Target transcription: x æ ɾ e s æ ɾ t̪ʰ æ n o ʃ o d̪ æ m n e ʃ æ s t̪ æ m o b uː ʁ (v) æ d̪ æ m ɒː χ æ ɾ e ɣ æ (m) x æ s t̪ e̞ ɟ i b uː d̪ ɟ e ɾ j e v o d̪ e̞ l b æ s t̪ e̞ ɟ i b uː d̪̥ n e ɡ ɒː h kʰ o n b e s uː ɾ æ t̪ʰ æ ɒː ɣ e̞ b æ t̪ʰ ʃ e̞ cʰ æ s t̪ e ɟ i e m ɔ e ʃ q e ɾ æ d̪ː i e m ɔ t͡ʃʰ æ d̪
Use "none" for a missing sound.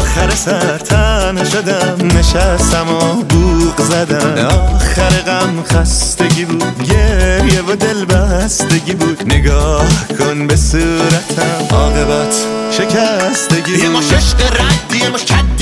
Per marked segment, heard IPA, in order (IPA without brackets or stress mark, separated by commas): z, m